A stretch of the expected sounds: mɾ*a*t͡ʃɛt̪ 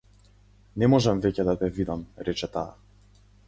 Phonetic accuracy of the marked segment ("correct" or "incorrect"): incorrect